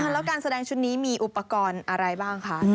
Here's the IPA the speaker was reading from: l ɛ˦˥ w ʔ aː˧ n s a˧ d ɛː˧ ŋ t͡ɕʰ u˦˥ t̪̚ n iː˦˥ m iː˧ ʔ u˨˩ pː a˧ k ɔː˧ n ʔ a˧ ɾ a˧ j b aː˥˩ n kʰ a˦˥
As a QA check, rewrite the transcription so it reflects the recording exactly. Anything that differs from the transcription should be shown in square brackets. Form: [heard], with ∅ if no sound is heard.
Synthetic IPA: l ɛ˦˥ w [k] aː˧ n s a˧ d ɛː˧ ŋ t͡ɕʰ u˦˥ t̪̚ n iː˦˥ m iː˧ ʔ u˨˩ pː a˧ k ɔː˧ n ʔ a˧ ɾ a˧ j b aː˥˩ [ŋ] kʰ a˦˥